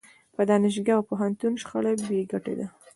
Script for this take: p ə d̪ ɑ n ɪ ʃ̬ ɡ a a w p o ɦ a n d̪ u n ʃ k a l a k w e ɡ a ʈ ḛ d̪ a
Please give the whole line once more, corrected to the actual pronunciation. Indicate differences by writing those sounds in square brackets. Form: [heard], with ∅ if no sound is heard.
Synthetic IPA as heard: p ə d̪ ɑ n ɪ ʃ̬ ɡ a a w p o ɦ a n [t̪] u n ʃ [x] a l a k [b] e ɡ a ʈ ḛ d̪ a

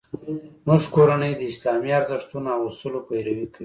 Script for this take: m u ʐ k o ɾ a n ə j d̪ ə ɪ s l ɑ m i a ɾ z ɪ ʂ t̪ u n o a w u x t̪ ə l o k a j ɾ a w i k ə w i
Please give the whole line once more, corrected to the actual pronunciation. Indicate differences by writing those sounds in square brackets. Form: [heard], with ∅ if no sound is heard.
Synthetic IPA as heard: m u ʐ k o ɾ a n ə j d̪ ə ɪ s l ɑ m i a ɾ z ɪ ʂ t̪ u n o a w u [s] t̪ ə l o [p] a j ɾ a w i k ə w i

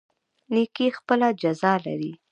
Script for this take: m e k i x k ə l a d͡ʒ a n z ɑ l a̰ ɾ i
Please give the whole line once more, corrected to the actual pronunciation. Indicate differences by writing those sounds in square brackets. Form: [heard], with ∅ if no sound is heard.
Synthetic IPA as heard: [n] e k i x [p] ə l a d͡ʒ a [∅] z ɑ l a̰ ɾ i

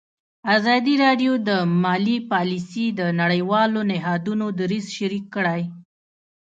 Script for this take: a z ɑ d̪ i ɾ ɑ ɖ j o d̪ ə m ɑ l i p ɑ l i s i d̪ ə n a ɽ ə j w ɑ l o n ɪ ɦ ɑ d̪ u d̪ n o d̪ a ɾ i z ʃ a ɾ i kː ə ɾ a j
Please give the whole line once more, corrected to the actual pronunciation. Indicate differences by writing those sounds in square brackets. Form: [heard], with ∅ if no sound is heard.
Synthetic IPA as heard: a z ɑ d̪ i ɾ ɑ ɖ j o d̪ ə m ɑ l i p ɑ l i s i d̪ ə n a ɽ ə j w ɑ l o n ɪ ɦ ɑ d̪ u [∅] n o d̪ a ɾ i z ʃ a ɾ i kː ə [ɽ] a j

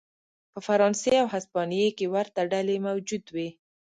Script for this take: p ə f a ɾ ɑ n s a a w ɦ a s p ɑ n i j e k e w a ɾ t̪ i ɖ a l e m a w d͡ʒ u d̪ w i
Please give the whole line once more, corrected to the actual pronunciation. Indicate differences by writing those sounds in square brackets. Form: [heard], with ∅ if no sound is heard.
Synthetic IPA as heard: p ə f a ɾ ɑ n s [e] a w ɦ a s p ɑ n i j e k e w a ɾ t̪ [a] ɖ a l e m a w d͡ʒ u d̪ w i

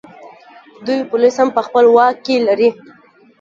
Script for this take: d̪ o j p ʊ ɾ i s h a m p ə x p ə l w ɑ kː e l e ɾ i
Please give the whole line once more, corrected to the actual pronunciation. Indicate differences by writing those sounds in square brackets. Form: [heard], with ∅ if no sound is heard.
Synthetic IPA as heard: d̪ [u] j p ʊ [l] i s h a m p ə x p ə l w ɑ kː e l [a] ɾ i

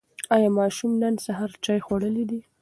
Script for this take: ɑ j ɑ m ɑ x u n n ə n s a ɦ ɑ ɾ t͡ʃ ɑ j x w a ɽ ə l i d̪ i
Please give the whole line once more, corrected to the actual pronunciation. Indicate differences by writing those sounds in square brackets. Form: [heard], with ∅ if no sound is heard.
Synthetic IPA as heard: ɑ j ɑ m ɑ [ʃ] u [m] n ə n s a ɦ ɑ ɾ t͡ʃ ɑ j x w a ɽ ə l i d̪ i

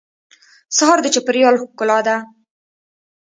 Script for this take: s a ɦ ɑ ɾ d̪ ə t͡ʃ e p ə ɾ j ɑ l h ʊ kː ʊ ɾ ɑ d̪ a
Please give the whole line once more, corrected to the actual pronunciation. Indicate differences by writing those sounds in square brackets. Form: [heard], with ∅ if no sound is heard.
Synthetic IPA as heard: s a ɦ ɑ ɾ d̪ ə t͡ʃ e p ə ɾ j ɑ l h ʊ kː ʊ [l] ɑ d̪ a

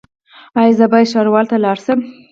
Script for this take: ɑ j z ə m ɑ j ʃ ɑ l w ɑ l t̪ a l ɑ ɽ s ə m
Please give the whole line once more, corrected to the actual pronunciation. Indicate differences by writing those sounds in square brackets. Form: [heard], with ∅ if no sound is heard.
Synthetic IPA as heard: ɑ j z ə [b] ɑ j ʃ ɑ [ɾ] w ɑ l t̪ a l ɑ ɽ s ə m

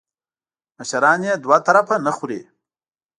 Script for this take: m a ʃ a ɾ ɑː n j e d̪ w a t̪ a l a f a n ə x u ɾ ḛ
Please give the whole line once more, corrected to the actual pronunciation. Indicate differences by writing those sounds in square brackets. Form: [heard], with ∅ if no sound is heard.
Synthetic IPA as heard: m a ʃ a ɾ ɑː n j e d̪ w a t̪ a [ɾ] a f a n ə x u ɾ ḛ

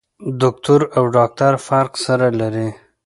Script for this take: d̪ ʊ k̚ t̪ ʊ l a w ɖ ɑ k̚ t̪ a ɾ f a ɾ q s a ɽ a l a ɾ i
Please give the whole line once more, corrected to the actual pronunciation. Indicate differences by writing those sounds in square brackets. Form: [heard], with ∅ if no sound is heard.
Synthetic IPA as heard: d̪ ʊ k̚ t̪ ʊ [ɾ] a w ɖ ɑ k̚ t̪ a ɾ f a ɾ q s a [ɾ] a l a ɾ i

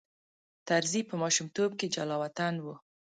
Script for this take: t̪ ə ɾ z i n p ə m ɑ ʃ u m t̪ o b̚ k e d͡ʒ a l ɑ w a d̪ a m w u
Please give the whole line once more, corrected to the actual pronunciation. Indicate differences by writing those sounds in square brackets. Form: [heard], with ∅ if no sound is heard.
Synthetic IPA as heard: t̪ [a] ɾ z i [∅] p ə m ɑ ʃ u m t̪ o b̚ k e d͡ʒ a l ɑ w a [t̪] a [n] w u

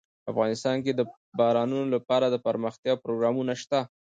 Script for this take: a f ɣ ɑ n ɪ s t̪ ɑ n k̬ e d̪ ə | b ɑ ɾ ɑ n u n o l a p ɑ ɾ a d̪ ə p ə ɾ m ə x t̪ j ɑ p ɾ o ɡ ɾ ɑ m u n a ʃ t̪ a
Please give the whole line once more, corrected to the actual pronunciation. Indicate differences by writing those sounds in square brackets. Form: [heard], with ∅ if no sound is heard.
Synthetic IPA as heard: a f ɣ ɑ n ɪ s t̪ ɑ n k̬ e d̪ ə | b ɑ ɾ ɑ n u n o l a p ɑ ɾ a d̪ ə p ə ɾ m ə x t̪ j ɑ p ɾ o ɡ ɾ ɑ m u n a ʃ t̪ a

